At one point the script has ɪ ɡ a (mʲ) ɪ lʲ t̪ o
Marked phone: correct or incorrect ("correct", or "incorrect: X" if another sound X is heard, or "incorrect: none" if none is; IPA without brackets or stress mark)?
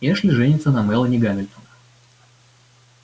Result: correct